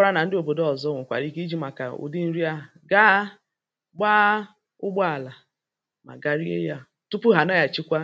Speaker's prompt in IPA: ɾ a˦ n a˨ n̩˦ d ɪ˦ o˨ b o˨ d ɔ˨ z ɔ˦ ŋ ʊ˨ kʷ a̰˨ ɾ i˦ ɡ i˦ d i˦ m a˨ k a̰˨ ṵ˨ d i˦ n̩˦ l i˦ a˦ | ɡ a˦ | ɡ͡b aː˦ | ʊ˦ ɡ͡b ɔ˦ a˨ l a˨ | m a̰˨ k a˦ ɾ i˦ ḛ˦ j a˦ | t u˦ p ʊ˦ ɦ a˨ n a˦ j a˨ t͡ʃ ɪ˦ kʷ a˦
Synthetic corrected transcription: ɾ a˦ n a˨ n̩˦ d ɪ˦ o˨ b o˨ d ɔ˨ z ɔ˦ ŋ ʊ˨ kʷ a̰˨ ɾ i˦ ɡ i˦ d͡ʒ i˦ m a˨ k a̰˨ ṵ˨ d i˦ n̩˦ ɾ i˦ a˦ | ɡ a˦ | ɡ͡b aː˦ | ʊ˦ ɡ͡b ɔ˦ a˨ l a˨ | m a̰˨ ɡ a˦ ɾ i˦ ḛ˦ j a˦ | t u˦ p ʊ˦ ɦ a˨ n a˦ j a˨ t͡ʃ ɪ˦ kʷ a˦